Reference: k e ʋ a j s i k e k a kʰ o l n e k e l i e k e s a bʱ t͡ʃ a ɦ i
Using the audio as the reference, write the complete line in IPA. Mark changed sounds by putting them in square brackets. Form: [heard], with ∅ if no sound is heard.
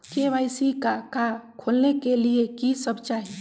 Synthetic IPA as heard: k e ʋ a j s i k [a] k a kʰ o l n e k e l i e k [i] s [ə] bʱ t͡ʃ a ɦ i